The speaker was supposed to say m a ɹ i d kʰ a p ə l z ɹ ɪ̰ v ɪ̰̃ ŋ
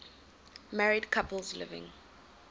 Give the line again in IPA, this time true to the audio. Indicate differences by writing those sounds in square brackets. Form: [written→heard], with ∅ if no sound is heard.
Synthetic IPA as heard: m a ɹ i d kʰ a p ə l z [ɹ→l] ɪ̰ v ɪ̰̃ ŋ